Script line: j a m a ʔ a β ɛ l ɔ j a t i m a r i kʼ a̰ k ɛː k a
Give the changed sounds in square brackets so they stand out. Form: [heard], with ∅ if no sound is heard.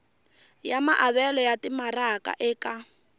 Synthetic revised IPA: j a m a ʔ a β ɛ l ɔ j a t i m a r [a] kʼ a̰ [ʔ] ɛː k a